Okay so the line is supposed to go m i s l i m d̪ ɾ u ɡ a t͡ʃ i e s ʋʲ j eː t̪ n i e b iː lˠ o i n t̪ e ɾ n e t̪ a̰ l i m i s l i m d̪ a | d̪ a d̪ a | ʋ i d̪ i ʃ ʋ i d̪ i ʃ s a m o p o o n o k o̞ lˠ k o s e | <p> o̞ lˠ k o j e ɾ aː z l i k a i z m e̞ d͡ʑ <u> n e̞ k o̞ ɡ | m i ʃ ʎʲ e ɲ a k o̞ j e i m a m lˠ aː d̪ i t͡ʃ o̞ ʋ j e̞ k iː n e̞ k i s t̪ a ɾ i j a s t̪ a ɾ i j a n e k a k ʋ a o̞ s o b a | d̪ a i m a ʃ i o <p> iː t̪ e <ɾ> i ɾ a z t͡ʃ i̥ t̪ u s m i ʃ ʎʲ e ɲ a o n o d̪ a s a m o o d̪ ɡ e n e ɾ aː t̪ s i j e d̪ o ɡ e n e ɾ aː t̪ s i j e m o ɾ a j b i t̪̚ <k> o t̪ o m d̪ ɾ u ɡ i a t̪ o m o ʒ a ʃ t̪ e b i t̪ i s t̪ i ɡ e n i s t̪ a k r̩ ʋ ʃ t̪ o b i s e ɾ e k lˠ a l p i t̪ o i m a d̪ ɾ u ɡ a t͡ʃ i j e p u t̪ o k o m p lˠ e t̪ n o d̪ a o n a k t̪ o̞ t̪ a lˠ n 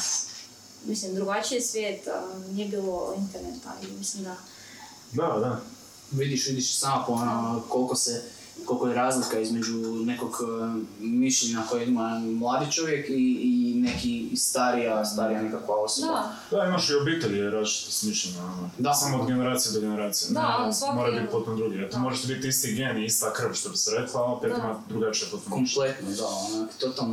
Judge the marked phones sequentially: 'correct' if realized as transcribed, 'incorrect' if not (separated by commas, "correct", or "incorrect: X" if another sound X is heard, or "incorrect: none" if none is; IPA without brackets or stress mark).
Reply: incorrect: k, correct, incorrect: b, incorrect: ʎ, incorrect: p